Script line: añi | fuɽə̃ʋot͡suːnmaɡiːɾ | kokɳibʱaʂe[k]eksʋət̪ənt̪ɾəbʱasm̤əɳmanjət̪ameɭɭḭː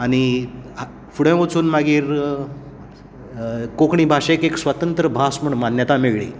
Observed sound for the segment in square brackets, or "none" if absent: k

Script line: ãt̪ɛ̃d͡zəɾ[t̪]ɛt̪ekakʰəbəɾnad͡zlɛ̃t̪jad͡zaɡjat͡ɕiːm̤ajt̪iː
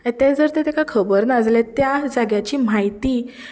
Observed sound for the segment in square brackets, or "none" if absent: t̪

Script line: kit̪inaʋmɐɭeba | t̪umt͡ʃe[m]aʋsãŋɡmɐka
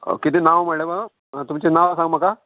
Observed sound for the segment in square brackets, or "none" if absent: n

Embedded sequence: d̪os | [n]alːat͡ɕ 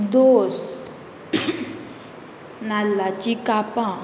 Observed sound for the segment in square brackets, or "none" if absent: n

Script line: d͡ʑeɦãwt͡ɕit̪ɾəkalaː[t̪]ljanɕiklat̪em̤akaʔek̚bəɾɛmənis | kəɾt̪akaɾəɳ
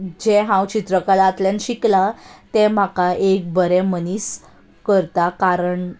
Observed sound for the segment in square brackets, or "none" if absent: t̪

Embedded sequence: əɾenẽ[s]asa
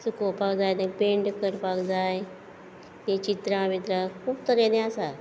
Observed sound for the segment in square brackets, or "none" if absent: none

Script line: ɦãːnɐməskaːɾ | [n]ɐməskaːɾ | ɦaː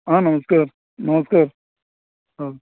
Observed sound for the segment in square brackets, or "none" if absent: n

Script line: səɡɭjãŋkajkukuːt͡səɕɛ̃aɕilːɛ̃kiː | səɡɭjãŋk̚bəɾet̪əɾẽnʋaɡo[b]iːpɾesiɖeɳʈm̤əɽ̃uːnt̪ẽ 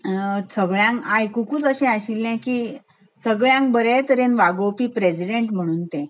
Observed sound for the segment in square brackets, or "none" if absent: p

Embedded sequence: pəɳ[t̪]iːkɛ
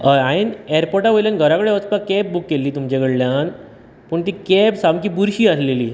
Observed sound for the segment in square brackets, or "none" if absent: t̪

